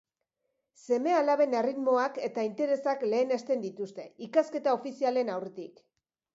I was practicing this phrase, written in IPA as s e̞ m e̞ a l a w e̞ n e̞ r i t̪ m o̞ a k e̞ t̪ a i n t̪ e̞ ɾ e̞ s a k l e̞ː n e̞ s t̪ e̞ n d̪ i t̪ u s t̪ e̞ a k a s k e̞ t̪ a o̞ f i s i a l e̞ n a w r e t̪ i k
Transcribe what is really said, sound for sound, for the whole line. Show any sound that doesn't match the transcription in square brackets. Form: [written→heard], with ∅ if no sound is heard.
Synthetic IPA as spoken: s e̞ m e̞ a l a [w→β] e̞ n e̞ r i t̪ m o̞ a k e̞ t̪ a i n t̪ e̞ ɾ e̞ s a k l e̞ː n e̞ s t̪ e̞ n d̪ i t̪ u s t̪ e̞ [a→i] k a s k e̞ t̪ a o̞ f i s i a l e̞ n a w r e t̪ i k